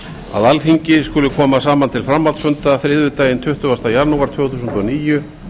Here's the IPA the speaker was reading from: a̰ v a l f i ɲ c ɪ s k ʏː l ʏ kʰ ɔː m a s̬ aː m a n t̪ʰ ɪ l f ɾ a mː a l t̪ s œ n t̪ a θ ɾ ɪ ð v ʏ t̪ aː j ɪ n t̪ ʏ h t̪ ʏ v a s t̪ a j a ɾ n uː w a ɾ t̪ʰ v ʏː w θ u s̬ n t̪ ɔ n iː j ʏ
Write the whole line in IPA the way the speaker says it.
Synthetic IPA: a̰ ð a l f i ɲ c ɪ s k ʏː l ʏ kʰ ɔː m a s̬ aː m a n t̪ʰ ɪ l f ɾ a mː a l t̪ s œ n t̪ a θ ɾ ɪ ð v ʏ t̪ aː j ɪ n t̪ʰ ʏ h t̪ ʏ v a s t̪ a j a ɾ n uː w a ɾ t̪ʰ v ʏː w θ u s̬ n t̪ ɔ n iː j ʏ